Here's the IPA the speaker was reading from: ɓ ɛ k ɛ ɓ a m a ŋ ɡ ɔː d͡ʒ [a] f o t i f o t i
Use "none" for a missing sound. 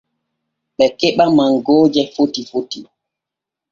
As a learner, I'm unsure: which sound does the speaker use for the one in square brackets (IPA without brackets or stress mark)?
ɛ